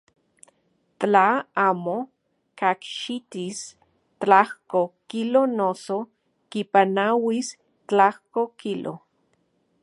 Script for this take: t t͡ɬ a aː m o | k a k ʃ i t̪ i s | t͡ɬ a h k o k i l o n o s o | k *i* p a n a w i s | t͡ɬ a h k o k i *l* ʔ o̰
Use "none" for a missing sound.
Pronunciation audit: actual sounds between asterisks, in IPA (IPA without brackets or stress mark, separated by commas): i, l